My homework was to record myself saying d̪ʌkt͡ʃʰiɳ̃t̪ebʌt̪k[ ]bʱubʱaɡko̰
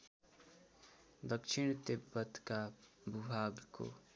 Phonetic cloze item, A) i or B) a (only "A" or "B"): B